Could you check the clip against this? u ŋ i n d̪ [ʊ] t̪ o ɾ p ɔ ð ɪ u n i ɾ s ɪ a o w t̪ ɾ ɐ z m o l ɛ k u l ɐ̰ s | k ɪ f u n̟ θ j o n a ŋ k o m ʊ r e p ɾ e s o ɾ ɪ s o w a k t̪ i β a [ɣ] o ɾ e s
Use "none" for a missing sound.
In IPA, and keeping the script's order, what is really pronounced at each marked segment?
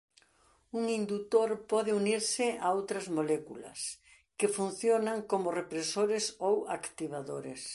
u, ð

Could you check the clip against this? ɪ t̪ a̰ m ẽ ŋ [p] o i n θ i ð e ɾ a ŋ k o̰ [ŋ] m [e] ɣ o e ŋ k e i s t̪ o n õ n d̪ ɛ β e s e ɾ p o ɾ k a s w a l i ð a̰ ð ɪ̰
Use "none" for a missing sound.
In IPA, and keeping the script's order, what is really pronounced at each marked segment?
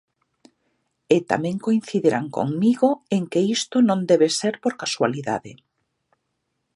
k, ŋ, i

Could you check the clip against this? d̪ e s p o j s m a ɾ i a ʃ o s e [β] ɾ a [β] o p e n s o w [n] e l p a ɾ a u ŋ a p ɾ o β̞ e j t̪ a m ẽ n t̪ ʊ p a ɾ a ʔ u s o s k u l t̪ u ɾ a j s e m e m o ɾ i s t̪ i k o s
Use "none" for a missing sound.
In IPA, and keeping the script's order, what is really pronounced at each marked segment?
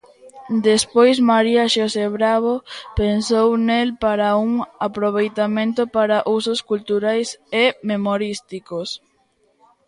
β, β, n

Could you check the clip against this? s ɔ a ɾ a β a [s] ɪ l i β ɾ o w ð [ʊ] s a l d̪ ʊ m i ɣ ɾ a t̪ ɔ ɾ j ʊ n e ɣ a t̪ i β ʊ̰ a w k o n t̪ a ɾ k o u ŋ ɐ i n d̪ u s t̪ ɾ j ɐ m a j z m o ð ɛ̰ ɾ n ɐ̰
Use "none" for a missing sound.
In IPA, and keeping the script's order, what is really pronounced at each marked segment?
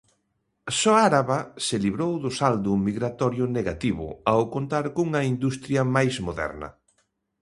s, ʊ

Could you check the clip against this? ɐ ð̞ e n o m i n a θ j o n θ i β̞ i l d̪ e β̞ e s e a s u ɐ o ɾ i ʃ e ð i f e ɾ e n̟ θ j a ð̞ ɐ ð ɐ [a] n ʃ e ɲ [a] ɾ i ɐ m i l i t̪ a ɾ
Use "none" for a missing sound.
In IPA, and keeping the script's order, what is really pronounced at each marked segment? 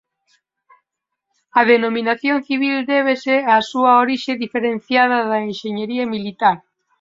e, e

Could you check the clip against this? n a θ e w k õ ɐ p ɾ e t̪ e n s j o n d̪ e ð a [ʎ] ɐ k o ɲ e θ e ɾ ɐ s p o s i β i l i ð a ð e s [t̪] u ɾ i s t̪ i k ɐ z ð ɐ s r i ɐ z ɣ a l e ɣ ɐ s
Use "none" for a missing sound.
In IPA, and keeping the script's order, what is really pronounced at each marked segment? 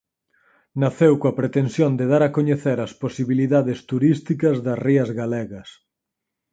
ɾ, t̪

